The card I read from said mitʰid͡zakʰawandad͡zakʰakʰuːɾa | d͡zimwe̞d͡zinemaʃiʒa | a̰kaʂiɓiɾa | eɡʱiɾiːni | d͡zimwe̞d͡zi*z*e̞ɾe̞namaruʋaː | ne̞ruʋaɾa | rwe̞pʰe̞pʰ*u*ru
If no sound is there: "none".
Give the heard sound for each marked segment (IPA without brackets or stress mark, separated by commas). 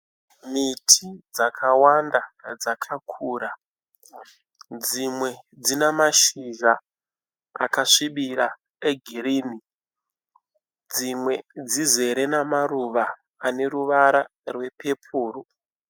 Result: z, uː